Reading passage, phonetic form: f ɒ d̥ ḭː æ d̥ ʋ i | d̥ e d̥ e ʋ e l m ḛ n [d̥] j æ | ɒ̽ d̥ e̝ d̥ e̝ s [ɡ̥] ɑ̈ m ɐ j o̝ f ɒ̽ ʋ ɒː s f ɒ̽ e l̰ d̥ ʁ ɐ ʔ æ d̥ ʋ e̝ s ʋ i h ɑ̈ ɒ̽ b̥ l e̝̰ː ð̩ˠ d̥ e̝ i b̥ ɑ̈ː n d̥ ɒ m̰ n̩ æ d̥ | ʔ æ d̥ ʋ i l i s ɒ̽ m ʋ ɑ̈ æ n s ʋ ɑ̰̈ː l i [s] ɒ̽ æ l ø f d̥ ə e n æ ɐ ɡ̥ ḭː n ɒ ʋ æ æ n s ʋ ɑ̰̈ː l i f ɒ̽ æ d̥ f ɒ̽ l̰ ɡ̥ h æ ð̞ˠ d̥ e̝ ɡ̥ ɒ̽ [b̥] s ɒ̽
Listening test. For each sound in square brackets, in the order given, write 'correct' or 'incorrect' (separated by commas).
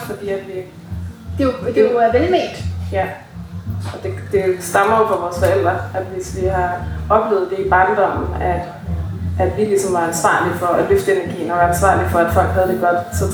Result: correct, incorrect, incorrect, incorrect